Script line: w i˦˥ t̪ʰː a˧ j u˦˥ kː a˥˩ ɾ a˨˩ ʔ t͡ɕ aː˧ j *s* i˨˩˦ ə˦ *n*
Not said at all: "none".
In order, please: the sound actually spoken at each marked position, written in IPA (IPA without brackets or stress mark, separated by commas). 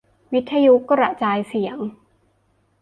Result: s, ŋ